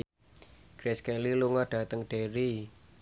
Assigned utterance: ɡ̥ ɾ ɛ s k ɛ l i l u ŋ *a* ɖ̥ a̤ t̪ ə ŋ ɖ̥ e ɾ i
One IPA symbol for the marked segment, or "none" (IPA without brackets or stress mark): a